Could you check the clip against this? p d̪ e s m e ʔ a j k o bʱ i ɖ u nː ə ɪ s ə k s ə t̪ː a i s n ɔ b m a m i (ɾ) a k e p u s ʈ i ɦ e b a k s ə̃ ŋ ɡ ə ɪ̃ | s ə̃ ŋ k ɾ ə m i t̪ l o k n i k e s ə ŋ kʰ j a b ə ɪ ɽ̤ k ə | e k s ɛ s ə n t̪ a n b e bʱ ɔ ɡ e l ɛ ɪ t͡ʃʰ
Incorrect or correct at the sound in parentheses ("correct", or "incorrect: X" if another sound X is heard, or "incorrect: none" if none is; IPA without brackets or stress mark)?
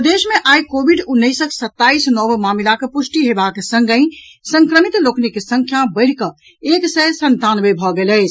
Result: incorrect: l